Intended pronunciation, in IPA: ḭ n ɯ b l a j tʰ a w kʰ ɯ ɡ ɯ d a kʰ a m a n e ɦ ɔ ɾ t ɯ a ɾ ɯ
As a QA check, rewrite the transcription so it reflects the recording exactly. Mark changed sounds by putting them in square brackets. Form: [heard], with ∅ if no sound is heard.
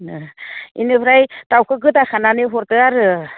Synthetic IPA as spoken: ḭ n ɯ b [ɾ] a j [t] a w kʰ ɯ ɡ ɯ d a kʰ a [n] a n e ɦ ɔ ɾ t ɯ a ɾ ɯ